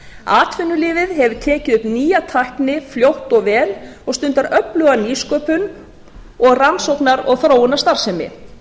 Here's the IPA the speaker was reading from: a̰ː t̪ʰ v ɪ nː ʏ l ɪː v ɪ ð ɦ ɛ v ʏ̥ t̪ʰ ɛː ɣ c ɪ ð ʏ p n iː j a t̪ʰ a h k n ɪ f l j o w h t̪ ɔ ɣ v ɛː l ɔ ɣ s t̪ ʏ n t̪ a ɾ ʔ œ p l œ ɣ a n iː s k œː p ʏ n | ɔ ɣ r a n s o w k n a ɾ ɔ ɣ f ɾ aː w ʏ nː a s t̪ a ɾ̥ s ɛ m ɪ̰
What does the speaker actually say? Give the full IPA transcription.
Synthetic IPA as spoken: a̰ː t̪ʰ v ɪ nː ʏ l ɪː v ɪ ð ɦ ɛ v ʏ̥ t̪ʰ ɛː c ɪ ð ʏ p n iː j a t̪ʰ a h k n ɪ f l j o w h t̪ ɔ ɣ v ɛː l ɔ ɣ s t̪ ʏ n t̪ a ɾ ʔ œ p l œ ɣ a n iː s k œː p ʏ n | ɔ ɣ r a n s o w k n a ɾ ɔ ɣ θ ɾ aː w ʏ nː a s t̪ a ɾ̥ s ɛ m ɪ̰